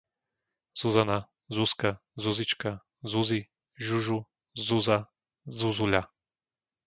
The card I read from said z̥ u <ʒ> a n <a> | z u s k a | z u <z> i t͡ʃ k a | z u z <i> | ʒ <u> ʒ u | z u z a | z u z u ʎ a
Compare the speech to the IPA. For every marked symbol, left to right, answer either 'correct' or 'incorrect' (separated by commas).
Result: incorrect, correct, correct, correct, correct